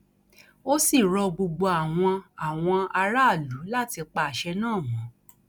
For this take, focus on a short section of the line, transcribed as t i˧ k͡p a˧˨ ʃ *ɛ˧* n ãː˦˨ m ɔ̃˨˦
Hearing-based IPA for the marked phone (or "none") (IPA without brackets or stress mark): ɛ˧